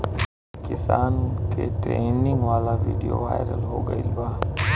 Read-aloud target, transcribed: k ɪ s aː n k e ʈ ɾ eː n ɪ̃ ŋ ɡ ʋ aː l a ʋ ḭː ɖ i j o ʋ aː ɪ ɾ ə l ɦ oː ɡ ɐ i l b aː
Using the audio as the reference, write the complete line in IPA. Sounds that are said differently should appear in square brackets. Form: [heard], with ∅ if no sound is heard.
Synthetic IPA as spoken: k ɪ s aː n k e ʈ ɾ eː n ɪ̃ ŋ ɡ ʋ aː l a ʋ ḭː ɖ i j o ʋ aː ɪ ɾ ə l ɦ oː ɡ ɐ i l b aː